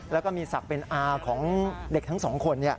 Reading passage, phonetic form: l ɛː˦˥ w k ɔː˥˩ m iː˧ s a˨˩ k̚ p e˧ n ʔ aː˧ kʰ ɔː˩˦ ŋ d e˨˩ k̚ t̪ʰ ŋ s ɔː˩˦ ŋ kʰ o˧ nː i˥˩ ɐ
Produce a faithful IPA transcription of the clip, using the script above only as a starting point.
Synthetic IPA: l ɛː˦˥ w k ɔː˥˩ m iː˧ s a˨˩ k̚ p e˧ n ʔ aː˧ kʰ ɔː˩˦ ŋ d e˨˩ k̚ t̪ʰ ŋ s ɔː˩˦ ŋ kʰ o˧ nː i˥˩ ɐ

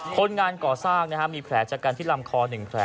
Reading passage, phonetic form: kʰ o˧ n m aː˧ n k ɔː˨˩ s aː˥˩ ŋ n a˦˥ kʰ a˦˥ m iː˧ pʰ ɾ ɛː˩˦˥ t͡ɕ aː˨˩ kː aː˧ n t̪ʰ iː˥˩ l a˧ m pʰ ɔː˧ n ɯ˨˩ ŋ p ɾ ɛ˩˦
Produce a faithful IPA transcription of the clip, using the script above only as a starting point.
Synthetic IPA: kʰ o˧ n ŋ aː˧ n k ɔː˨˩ s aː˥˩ ŋ n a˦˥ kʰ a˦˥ m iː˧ pʰ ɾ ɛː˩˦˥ t͡ɕ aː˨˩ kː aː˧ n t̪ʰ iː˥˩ l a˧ m kʰ ɔː˧ n ɯ˨˩ ŋ pʰ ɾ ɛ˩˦

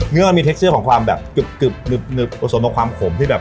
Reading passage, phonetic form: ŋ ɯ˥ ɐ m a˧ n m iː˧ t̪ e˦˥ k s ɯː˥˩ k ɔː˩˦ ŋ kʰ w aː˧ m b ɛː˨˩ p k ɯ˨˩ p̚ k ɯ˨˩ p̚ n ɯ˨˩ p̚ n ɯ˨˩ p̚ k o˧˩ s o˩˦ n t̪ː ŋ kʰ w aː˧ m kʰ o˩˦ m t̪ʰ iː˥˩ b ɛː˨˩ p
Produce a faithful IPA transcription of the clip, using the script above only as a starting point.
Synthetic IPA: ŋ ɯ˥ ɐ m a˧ n m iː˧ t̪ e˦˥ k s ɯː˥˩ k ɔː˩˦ ŋ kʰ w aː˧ m b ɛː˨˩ p k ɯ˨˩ p̚ k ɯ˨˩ p̚ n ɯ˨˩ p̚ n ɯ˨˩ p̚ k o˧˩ s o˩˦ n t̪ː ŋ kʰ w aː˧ m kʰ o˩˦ m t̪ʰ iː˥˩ b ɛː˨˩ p

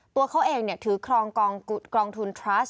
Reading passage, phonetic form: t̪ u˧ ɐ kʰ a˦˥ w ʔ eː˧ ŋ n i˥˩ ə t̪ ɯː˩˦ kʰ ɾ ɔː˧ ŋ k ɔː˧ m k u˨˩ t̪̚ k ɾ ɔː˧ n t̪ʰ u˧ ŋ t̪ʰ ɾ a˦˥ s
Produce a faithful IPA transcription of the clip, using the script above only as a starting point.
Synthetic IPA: t̪ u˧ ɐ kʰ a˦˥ w ʔ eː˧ ŋ n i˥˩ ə t̪ʰ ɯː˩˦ kʰ ɾ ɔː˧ ŋ k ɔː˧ ŋ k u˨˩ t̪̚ k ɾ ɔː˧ ŋ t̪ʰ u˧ n t̪ʰ ɾ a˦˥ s

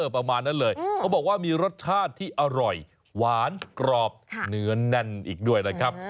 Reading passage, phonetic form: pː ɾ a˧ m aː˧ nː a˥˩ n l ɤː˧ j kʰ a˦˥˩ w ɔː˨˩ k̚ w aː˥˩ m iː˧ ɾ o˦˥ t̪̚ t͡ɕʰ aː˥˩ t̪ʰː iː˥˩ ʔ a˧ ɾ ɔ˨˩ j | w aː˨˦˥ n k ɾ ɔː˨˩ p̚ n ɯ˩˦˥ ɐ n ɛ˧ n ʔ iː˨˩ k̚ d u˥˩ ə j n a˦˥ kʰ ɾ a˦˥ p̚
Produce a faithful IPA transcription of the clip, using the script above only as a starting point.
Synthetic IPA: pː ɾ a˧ m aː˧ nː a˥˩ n l ɤː˧ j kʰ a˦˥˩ b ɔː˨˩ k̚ w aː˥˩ m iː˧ ɾ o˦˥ t̪̚ t͡ɕʰ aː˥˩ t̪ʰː iː˥˩ ʔ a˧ ɾ ɔ˨˩ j | w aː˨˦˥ n k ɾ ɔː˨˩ p̚ n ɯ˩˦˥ ɐ n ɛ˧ n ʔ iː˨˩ k̚ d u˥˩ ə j n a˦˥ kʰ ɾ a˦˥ p̚

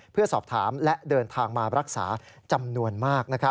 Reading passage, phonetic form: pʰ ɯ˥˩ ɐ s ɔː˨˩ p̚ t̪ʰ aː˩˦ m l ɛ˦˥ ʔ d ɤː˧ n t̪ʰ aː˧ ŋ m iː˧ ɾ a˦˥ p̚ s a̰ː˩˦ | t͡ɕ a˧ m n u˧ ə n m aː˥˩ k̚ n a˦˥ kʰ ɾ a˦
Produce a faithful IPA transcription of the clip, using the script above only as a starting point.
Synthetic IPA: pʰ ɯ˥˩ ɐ s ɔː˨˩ p̚ t̪ʰ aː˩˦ m l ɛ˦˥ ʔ d ɤː˧ n t̪ʰ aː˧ ŋ m aː˧ ɾ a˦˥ k̚ s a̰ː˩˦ | t͡ɕ a˧ m n u˧ ə n m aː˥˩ k̚ n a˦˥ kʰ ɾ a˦

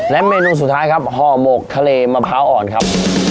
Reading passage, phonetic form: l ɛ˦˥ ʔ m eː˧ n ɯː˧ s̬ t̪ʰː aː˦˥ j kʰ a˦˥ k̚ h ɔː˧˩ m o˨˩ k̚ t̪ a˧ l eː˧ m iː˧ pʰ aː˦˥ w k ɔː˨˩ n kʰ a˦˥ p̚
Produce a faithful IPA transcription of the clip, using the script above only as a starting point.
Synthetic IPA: l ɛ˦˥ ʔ m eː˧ n uː˧ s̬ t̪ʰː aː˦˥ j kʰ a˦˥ p̚ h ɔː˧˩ m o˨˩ k̚ t̪ʰ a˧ l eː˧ m aː˧ pʰ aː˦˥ w ʔ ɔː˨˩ n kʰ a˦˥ p̚

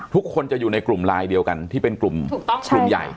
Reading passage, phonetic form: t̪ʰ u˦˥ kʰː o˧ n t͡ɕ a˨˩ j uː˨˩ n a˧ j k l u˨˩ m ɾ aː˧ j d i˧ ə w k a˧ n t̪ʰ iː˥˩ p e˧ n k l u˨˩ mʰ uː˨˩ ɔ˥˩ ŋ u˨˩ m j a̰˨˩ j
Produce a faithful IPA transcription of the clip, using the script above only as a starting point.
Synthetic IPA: t̪ʰ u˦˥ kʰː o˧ n t͡ɕ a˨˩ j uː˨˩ n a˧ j k l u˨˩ m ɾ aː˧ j d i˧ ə w k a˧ n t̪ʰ iː˥˩ p e˧ n k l u˨˩ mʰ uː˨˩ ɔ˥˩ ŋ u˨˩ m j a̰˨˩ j

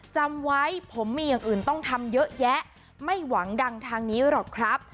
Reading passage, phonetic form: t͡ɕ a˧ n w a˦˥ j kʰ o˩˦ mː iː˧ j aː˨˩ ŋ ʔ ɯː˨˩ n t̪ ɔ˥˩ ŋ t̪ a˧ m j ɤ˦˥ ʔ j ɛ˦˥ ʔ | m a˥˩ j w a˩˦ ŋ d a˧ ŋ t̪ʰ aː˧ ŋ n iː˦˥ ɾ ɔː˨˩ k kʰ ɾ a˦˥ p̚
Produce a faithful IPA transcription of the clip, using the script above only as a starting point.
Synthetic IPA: t͡ɕ a˧ m w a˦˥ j pʰ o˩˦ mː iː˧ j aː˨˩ ŋ ʔ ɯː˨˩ n t̪ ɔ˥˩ ŋ t̪ʰ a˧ m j ɤ˦˥ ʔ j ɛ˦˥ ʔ | m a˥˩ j w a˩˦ ŋ d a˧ ŋ t̪ʰ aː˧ ŋ n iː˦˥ ɾ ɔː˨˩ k kʰ ɾ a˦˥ p̚

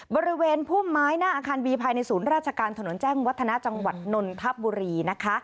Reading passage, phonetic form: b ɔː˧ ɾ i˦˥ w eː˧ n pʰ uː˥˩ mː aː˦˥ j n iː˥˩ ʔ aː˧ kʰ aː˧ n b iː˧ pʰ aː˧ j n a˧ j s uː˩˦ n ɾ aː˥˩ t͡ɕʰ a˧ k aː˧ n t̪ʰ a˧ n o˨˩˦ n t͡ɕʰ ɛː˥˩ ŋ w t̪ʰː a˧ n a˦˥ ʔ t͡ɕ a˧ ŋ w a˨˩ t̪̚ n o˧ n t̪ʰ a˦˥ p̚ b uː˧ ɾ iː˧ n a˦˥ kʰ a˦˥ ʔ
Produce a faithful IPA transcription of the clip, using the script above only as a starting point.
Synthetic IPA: b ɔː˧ ɾ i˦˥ w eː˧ n pʰ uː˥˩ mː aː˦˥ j n aː˥˩ ʔ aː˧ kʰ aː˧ n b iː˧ pʰ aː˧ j n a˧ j s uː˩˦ n ɾ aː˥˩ t͡ɕʰ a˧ k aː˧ n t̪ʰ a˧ n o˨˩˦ n t͡ɕ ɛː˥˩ ŋ w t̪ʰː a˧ n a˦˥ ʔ t͡ɕ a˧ ŋ w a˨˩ t̪̚ n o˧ n t̪ʰ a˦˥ p̚ b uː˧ ɾ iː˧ n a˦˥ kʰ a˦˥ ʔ

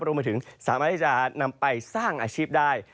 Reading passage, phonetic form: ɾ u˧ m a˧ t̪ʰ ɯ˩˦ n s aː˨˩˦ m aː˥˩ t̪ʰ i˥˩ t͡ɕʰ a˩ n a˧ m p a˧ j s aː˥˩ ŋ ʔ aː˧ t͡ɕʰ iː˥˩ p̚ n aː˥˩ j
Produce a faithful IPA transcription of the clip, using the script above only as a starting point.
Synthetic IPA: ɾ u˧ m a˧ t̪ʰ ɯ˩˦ ŋ s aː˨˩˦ m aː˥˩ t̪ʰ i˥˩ t͡ɕ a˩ n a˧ m p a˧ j s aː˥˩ ŋ ʔ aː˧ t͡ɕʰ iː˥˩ p̚ d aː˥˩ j

